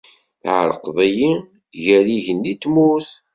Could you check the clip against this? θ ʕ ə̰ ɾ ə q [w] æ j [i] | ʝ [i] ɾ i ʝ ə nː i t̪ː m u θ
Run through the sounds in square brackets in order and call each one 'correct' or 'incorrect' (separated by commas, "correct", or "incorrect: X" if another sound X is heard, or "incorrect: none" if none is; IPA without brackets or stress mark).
incorrect: v, correct, incorrect: æ